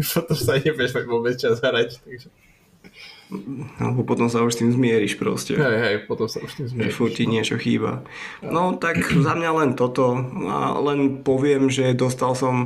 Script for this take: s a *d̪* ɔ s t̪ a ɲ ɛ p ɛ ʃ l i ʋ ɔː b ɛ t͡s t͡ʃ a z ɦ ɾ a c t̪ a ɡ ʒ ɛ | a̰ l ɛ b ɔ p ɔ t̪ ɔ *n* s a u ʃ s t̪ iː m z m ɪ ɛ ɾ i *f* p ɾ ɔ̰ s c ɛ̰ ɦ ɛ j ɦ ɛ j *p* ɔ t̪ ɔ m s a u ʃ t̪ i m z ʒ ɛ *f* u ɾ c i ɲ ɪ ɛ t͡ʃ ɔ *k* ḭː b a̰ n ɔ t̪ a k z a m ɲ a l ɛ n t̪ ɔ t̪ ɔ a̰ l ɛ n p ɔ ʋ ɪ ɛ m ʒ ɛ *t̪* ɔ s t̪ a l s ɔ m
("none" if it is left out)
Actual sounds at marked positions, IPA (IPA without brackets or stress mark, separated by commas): t̪, m, ʃ, p, f, x, d̪